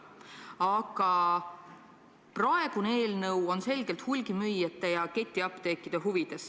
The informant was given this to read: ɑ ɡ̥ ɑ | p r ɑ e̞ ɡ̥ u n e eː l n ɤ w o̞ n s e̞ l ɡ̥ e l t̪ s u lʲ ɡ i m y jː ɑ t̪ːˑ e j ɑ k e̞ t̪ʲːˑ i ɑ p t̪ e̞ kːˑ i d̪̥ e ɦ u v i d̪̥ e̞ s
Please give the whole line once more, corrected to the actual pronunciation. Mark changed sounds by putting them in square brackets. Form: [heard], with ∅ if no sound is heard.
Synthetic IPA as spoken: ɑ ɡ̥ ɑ | p r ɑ e̞ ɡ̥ u n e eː l n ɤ w o̞ n s e̞ l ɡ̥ e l t̪ [h] u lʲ ɡ i m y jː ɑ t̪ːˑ e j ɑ k e̞ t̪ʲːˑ i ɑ p t̪ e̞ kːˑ i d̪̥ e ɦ u v i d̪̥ e̞ s

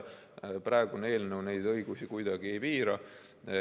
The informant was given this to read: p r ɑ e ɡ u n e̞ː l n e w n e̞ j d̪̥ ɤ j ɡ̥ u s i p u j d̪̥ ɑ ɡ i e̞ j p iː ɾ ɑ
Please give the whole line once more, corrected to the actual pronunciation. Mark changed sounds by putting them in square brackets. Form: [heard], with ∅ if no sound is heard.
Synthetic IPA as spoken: p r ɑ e ɡ u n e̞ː l n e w n e̞ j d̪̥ ɤ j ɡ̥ u s i [k] u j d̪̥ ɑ ɡ i e̞ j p iː ɾ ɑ

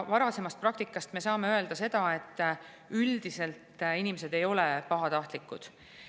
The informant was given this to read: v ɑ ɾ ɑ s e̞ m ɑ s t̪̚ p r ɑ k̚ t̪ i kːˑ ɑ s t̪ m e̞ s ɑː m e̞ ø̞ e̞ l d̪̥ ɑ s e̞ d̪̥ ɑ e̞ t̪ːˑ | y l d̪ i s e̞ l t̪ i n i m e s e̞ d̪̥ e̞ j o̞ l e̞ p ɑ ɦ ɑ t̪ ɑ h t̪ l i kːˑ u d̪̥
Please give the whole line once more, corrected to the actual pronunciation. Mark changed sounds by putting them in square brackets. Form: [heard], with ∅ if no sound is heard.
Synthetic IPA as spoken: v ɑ ɾ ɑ s e̞ m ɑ s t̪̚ p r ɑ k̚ t̪ i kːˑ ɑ s t̪ m e̞ s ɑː m e̞ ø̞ e̞ l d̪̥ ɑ s e̞ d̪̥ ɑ e̞ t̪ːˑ | y l d̪ i s e̞ l t̪ i n i m e s e̞ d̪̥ e̞ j o̞ l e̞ p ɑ ɦ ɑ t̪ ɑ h t̪ l i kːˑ u d̪̥

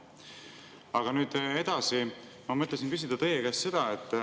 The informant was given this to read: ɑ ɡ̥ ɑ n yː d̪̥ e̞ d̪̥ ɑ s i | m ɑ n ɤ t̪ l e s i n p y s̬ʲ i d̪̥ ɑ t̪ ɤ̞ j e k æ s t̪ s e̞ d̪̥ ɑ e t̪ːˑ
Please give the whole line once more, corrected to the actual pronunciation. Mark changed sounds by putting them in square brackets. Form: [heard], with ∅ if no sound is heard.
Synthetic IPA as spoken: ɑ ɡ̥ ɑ n yː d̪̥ e̞ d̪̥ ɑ s i | m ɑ [m] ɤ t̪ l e s i n p y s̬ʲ i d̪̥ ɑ t̪ ɤ̞ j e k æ s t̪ s e̞ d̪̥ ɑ e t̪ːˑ

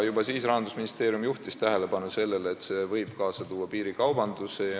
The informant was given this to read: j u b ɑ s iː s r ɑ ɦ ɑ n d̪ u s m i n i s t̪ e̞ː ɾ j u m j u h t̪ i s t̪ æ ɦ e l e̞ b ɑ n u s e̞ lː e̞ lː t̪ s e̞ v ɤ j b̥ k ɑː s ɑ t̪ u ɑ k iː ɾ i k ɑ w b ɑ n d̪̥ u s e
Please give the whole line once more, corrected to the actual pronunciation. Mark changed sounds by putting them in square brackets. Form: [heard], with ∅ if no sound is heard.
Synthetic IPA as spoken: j u b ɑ s iː s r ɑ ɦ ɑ n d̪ u s m i n i s t̪ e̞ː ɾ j u m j u h t̪ i s t̪ æ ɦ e l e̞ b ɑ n u s e̞ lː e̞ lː t̪ s e̞ v ɤ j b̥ k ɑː s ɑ t̪ [uː] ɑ [p] iː ɾ i k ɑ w b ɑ n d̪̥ u s e

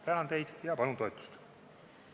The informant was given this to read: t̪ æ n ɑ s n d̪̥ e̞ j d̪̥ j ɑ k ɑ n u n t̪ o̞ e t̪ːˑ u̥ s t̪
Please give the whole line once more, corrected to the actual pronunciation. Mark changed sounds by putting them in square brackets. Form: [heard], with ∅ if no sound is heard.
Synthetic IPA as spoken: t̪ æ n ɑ [∅] n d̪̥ e̞ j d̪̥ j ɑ [p] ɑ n u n t̪ o̞ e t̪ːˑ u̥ s t̪

